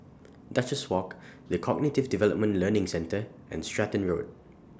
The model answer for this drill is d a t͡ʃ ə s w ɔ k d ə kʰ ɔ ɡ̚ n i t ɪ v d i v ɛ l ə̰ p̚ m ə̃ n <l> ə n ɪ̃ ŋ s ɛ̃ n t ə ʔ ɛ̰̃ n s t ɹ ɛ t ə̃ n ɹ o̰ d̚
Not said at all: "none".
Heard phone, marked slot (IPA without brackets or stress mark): l